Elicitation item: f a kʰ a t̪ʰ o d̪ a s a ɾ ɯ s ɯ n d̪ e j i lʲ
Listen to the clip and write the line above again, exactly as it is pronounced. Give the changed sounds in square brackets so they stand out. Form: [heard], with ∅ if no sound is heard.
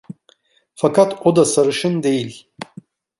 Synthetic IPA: f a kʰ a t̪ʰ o d̪ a s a ɾ ɯ [ʃ] ɯ n d̪ e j i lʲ